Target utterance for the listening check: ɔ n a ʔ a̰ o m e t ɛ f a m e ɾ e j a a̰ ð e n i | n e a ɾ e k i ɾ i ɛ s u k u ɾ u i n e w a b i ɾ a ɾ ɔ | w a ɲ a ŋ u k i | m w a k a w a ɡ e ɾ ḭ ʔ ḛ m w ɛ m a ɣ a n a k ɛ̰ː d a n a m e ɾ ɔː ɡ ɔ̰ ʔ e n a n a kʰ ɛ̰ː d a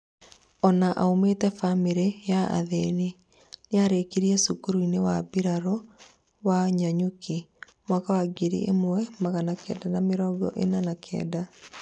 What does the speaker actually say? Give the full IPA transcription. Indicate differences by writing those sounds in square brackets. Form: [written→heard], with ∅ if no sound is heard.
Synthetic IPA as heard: ɔ n a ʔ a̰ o m e t ɛ f a m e ɾ e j a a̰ ð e n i | n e a ɾ e k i ɾ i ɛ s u k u ɾ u i n e w a b i ɾ a ɾ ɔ | w a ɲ a [ŋ→ɲ] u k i | m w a k a w a ɡ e ɾ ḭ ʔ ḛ m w ɛ m a ɣ a n a k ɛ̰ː d a n a m e ɾ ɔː ɡ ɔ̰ ʔ e n a n a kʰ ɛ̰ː d a

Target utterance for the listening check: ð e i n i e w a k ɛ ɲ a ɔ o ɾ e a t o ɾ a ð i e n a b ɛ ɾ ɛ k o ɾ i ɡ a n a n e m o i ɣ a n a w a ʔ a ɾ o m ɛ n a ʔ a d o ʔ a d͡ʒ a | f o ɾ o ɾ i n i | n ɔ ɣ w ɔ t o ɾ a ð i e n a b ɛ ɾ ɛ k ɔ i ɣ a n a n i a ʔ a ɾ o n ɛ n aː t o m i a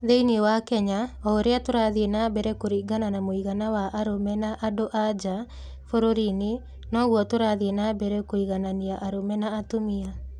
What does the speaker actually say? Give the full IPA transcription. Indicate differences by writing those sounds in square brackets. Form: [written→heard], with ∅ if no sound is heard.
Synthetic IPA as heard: ð e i n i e w a k ɛ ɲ a ɔ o ɾ e a t o ɾ a ð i e n a b ɛ ɾ ɛ k o ɾ i ɡ a n a n [e→a] m o i ɣ a n a w a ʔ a ɾ o m ɛ n a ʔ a d o ʔ a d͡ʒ a | f o ɾ o ɾ i n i | n ɔ ɣ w ɔ t o ɾ a ð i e n a b ɛ ɾ ɛ k [ɔ→o] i ɣ a n a n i a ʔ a ɾ o [n→m] ɛ n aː t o m i a

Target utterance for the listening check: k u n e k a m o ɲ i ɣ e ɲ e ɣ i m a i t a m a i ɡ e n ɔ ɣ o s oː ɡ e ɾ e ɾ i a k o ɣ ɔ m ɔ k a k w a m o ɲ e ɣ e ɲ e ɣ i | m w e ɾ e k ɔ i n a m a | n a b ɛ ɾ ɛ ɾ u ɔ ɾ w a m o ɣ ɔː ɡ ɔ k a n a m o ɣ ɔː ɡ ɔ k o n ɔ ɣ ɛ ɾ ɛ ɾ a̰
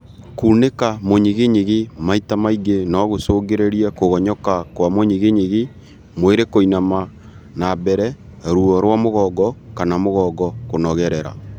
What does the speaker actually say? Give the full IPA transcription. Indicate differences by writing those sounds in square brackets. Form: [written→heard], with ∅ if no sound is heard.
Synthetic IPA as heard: k u n e k a m o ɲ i ɣ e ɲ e ɣ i m a i t a m a i ɡ e n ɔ ɣ o s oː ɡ e ɾ e ɾ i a k o ɣ ɔ [m→ɲ] ɔ k a k w a m o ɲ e ɣ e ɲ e ɣ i | m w e ɾ e k [ɔ→o] i n a m a | n a b ɛ ɾ ɛ ɾ u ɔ ɾ w a m o ɣ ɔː ɡ ɔ k a n a m o ɣ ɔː ɡ ɔ k o n ɔ ɣ ɛ ɾ ɛ ɾ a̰

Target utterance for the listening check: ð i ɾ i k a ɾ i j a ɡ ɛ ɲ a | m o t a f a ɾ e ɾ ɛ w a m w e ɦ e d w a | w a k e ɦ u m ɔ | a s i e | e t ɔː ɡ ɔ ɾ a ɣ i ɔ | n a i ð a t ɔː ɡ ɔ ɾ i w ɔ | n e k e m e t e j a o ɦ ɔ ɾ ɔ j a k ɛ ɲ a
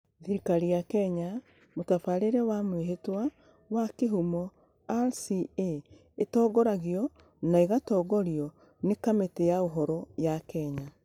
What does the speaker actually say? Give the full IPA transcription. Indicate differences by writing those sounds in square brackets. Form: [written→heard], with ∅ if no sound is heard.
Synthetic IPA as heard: ð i ɾ i k a ɾ i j a [ɡ→k] ɛ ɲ a | m o t a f a ɾ e ɾ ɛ w a m w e ɦ e [d→t] w a | w a k e ɦ u m ɔ | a s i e | e t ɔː ɡ ɔ ɾ a ɣ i ɔ | n a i [ð→ɣ] a t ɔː ɡ ɔ ɾ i [w→∅] ɔ | n e k [e→a] m e t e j a o ɦ ɔ ɾ ɔ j a k ɛ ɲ a

